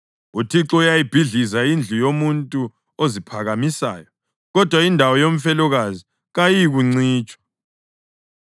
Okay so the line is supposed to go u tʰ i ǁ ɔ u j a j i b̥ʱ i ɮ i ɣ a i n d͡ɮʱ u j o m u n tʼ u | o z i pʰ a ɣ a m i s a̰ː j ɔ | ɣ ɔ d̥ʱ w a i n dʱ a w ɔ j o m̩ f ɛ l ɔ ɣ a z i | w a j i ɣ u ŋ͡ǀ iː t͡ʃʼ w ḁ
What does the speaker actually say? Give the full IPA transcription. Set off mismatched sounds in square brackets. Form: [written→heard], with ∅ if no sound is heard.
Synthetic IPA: u tʰ i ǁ ɔ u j a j i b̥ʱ i ɮ i [ɣ→z] a i n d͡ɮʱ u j o m u n tʼ u | o z i pʰ a ɣ a m i s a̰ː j ɔ | ɣ ɔ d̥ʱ w a i n dʱ a w ɔ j o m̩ f ɛ l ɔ ɣ a z i | [w→ɣ] a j i ɣ u ŋ͡ǀ iː t͡ʃʼ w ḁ